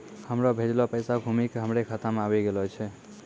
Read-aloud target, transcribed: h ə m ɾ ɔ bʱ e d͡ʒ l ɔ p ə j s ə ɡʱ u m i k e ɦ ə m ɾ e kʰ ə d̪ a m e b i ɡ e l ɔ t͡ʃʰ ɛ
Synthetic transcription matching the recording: h ə m ɾ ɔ bʱ e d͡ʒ l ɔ p ə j s a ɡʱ u m i k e ɦ ə m ɾ e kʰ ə t̪ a m a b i ɡ e l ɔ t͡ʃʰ ɛ